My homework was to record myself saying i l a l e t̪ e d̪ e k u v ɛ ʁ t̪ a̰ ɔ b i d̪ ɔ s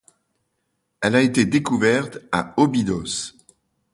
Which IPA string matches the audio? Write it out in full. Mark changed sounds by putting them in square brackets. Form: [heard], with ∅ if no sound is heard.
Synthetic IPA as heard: [ɛ] l a [∅] e t̪ e d̪ e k u v ɛ ʁ t̪ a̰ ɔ b i d̪ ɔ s